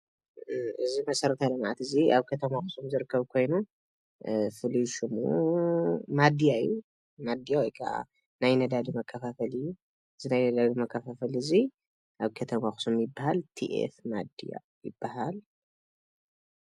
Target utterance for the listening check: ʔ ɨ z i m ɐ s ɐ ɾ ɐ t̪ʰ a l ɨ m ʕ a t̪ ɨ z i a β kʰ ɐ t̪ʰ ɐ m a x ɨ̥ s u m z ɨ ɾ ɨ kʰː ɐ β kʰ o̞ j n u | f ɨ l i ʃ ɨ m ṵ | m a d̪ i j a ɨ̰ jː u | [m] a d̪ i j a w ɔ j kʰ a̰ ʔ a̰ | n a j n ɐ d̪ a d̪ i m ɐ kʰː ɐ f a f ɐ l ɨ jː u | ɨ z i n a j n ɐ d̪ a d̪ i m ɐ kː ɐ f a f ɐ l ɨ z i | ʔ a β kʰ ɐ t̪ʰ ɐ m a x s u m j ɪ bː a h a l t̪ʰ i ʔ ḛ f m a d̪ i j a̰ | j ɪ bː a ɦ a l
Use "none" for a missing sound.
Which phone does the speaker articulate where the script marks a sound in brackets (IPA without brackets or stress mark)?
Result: m